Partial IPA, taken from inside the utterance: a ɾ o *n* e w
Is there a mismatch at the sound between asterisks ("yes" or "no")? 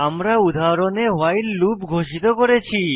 no